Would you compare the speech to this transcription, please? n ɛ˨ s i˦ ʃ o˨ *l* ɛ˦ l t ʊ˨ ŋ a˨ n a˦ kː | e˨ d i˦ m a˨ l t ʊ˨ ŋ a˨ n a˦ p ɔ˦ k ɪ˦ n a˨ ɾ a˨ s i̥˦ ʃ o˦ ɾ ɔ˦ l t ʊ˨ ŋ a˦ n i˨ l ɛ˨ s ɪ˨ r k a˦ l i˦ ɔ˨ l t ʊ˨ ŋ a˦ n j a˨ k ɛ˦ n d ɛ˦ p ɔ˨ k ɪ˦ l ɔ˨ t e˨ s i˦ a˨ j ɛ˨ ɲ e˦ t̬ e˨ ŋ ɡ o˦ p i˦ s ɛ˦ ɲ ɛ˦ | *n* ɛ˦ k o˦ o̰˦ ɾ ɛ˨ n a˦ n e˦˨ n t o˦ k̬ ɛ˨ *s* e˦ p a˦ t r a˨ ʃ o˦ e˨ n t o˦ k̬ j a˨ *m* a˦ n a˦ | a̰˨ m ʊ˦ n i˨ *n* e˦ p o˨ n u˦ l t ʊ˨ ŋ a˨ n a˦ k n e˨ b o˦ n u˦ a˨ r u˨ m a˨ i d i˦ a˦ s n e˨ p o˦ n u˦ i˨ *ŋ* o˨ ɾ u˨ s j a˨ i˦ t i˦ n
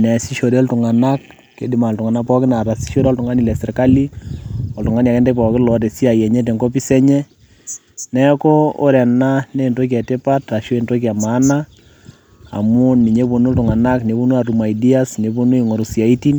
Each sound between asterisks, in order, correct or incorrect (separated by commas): incorrect, correct, incorrect, correct, incorrect, correct